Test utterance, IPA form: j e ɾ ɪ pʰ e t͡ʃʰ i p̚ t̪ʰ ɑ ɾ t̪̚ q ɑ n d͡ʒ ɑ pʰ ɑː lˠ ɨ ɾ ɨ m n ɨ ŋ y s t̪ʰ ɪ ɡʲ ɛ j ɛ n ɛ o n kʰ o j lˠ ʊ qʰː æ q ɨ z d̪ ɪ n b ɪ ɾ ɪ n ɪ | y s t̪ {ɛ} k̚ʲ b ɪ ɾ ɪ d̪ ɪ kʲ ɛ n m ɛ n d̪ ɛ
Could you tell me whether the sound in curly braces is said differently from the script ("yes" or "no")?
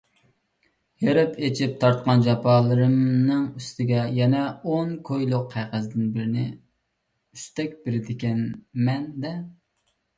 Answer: no